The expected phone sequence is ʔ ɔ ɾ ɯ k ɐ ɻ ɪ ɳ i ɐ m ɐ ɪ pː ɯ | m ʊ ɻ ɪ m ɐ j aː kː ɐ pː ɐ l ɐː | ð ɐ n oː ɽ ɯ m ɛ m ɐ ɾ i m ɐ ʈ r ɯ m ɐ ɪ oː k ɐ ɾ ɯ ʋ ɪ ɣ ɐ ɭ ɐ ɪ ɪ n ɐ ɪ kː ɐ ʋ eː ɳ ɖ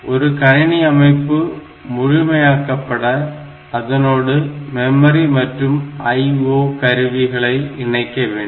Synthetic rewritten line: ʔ ɔ ɾ ɯ k ɐ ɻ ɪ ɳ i ɐ m ɐ ɪ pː ɯ | m ʊ ɻ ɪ m ɐ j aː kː ɐ pː ɐ ɽ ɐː | ð ɐ n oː ɽ ɯ m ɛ m ɐ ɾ i m ɐ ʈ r ɯ m ɐ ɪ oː k ɐ ɾ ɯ ʋ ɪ ɣ ɐ ɭ ɐ ɪ ɪ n ɐ ɪ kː ɐ ʋ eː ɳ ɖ